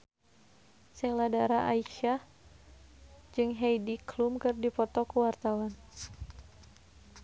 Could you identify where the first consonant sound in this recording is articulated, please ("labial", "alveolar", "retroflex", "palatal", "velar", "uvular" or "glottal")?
alveolar